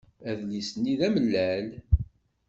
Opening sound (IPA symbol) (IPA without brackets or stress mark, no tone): æ